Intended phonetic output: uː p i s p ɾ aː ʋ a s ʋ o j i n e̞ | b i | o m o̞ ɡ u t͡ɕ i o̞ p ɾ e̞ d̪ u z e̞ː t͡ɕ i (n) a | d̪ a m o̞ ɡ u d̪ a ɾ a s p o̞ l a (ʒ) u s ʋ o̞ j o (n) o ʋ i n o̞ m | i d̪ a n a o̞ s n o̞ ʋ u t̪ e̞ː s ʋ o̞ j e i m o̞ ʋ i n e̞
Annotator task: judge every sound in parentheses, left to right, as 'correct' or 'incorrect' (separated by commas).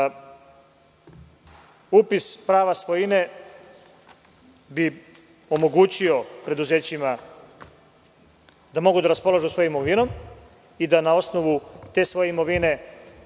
incorrect, correct, incorrect